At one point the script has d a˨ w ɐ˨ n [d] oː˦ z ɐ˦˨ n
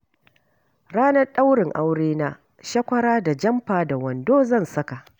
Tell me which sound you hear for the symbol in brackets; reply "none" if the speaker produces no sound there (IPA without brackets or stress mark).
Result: d